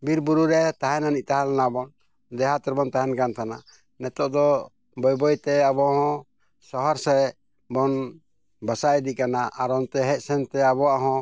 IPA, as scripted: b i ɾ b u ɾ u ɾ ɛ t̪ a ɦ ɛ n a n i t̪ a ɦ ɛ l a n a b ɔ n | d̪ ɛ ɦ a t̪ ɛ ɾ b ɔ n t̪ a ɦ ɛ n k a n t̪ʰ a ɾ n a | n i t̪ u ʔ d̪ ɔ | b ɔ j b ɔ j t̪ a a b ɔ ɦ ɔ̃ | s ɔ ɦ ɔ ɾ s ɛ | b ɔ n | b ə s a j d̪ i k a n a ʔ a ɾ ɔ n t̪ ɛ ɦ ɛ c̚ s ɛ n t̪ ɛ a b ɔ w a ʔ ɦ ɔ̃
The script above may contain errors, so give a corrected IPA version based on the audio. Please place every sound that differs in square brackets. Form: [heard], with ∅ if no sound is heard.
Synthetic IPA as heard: b i ɾ b u ɾ u ɾ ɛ t̪ a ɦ ɛ n a n i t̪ a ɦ [a] l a n a b ɔ n | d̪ ɛ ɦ a t̪ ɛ ɾ b ɔ n t̪ a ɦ ɛ n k a n t̪ʰ a [∅] n a | n [ɛ] t̪ [ɔ] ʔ d̪ ɔ | b ɔ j b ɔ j t̪ [ɛ] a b ɔ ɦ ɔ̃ | s ɔ ɦ ɔ ɾ s ɛ | b ɔ n | b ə s a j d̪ i k a n a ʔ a ɾ ɔ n t̪ ɛ ɦ ɛ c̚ s ɛ n t̪ ɛ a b ɔ w a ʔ ɦ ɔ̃